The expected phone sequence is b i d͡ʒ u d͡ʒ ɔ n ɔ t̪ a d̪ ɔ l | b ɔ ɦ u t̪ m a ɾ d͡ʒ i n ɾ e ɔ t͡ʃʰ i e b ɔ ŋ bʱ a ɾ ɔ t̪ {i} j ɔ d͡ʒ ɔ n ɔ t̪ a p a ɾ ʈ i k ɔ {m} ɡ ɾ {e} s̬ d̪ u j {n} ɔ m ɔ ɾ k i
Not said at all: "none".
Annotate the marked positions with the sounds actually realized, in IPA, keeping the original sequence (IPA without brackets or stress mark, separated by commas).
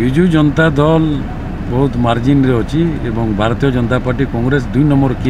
i, ŋ, e, n